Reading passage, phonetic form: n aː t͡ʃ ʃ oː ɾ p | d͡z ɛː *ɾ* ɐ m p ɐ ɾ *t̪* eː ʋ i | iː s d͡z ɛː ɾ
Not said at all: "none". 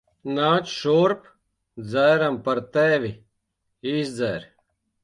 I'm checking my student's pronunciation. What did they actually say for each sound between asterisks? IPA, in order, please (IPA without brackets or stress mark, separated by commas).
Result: ɾ, t̪